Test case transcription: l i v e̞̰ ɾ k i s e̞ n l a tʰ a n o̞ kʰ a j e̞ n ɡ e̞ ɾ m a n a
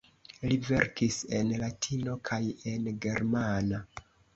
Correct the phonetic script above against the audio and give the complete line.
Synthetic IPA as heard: l i v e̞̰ ɾ k i s e̞ n l a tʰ i n o̞ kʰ a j e̞ n ɡ e̞ ɾ m a n a